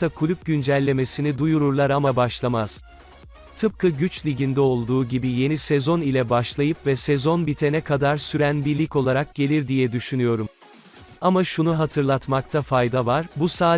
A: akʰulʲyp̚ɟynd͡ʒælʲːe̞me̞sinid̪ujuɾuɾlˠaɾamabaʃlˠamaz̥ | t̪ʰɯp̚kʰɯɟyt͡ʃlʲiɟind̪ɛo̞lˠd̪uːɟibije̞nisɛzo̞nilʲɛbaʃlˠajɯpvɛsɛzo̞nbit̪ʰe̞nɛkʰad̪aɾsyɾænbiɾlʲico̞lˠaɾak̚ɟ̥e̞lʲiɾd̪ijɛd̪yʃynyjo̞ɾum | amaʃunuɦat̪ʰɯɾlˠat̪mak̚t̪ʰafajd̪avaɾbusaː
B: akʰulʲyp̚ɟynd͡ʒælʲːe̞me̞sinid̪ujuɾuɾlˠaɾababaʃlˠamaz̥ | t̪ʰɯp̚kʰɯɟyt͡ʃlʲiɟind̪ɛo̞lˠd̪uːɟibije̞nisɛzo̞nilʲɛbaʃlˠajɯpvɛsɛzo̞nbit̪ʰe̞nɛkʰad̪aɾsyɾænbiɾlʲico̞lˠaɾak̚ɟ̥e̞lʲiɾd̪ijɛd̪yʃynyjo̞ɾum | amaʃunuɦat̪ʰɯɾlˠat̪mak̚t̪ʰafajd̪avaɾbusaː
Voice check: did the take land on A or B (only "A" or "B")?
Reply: A